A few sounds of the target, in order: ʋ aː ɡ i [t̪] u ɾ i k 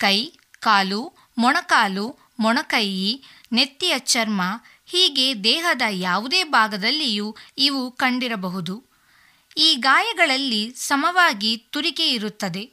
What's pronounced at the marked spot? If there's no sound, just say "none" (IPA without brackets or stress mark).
t̪